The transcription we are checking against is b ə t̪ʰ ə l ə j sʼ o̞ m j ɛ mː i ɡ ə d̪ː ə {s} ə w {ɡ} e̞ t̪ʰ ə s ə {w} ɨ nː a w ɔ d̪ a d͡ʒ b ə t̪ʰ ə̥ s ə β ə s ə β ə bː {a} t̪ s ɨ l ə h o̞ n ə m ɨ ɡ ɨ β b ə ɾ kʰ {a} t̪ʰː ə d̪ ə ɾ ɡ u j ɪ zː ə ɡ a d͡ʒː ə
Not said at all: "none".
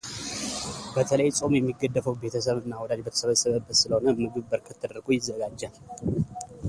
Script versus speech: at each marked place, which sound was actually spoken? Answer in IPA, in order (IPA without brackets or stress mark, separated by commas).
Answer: f, b, β, ə, ə